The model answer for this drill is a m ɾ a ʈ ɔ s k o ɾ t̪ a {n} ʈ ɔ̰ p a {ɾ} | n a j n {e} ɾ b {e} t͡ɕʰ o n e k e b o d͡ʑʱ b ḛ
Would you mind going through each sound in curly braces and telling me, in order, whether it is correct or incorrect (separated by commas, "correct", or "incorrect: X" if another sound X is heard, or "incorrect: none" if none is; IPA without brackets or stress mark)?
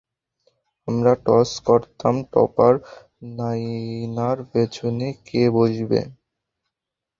incorrect: m, correct, incorrect: a, correct